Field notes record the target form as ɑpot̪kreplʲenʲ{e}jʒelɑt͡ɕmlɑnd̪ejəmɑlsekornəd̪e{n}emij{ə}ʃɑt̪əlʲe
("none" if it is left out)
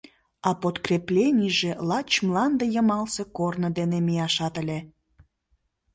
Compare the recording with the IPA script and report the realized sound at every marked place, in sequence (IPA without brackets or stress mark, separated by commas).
i, n, ɑ